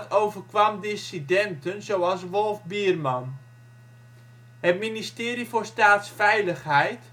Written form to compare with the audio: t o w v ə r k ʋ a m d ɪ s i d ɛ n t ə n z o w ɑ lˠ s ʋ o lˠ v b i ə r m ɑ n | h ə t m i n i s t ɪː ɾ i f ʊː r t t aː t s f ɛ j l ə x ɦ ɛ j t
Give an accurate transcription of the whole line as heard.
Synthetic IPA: t o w v ə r k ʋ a m d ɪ s i d ɛ n t ə n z o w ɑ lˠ s ʋ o lˠ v b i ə r m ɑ n | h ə t m i n i s t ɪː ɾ i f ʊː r s t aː t s f ɛ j l ə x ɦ ɛ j t

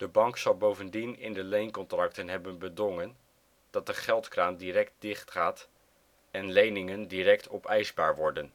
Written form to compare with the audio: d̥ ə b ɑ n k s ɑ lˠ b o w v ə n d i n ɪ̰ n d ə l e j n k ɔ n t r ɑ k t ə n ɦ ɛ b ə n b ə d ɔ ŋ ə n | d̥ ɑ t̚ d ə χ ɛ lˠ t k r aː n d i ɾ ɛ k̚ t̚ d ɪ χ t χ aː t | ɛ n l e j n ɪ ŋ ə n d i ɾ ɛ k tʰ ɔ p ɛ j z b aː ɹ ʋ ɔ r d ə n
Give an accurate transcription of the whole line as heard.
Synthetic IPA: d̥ ə b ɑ ŋ k s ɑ lˠ b o w v ə n d i n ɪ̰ n d ə l e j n k ɔ n t r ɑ k t ə n ɦ ɛ b ə n b ə d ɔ ŋ ə n | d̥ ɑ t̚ d ə χ ɛ lˠ t k r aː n d i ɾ ɛ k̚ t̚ d ɪ χ t χ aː t | ɛ n l e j n ɪ ŋ ə n d i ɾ ɛ k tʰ ɔ p ɛ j z b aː ɹ ʋ ɔ ɹ d ə n

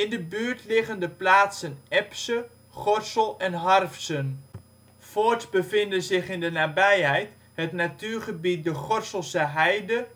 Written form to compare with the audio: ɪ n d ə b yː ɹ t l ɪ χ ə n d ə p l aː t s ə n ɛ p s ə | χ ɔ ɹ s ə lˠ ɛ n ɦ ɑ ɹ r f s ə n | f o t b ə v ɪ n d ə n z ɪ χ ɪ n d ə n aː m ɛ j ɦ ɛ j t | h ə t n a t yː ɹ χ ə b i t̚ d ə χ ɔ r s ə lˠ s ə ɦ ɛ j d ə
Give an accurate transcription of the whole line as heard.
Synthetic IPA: ɪ n d ə b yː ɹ t l ɪ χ ə n d ə p l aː t s ə n ɛ p s ə | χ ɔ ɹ s ə lˠ ɛ n ɦ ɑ r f s ə n | f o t b ə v ɪ n d ə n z ɪ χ ɪ n d ə n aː b ɛ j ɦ ɛ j t | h ə t n a t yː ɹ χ ə b i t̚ d ə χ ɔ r s ə lˠ s ə ɦ ɛ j d ə

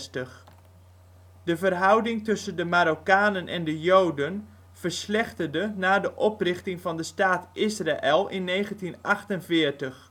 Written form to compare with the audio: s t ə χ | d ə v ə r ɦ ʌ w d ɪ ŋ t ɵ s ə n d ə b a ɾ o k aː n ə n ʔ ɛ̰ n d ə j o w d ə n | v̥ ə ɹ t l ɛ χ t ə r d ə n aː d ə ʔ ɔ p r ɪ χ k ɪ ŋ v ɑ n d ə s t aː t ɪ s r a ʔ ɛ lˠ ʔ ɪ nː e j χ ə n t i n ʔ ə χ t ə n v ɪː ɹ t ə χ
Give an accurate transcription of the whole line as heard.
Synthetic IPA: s t ə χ | d ə v ə r ɦ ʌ w d ɪ ŋ t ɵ s ə n d ə m a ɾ o k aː n ə n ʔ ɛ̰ n d ə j o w d ə n | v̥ ə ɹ s l ɛ χ t ə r d ə n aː d ə ʔ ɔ p r ɪ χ t ɪ ŋ v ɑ n d ə s t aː t ɪ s r a ʔ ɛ lˠ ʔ ɪ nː e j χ ə n t i n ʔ ɑ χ t ə n v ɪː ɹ t ə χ

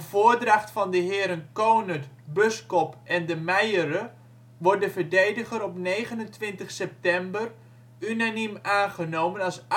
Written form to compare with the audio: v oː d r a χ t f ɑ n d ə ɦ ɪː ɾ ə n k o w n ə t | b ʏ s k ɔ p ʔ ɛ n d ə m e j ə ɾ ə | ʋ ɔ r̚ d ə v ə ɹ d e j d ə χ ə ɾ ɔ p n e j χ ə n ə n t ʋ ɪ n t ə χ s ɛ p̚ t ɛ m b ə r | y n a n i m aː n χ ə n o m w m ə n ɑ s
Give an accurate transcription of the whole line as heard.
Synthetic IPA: v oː d r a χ t f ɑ n d ə ɦ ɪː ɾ ə n k o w n ə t | b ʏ s k ɔ p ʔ ɛ n d ə m ɛ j ə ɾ ə | ʋ ɔ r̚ d ə v ə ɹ d e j d ə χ ə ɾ ɔ p n e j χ ə n ə n t ʋ ɪ n t ə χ s ɛ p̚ t ɛ m b ə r | y n a n i m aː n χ ə n o w m ə n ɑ s

